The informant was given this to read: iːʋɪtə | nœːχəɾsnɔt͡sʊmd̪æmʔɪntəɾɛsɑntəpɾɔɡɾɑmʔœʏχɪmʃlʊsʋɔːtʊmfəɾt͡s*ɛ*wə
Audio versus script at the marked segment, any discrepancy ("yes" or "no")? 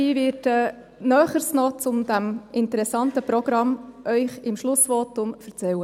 no